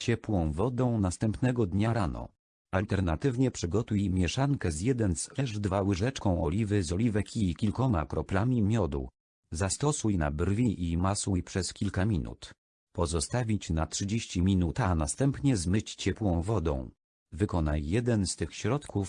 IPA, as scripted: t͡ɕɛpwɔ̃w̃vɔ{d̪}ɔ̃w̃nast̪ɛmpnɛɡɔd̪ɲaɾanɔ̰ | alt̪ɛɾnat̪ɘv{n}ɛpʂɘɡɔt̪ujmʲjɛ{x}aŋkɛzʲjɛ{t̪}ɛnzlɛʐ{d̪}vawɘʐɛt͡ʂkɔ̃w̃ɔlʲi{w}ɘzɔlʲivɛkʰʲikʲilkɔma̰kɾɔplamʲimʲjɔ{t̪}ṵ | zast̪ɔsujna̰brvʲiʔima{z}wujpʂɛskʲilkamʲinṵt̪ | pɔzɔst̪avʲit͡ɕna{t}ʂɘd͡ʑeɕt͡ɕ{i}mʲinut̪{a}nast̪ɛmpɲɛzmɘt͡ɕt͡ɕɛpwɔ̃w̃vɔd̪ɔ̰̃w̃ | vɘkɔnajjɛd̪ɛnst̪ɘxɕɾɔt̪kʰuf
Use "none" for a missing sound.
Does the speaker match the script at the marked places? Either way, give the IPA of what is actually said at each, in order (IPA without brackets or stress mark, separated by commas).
d̪, ɲ, ʂ, d̪, d̪, v, d̪, s, t, i, a